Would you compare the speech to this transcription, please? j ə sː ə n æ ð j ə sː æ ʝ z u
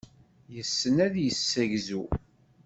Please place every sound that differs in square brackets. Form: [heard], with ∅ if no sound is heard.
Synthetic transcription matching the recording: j ə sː ə n æ ð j ə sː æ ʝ z u